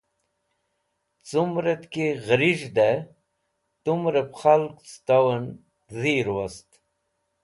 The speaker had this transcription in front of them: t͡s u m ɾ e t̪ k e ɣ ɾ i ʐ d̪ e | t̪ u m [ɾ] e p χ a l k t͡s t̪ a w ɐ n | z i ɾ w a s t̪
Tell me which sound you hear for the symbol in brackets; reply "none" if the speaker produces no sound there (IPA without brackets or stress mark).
ɾ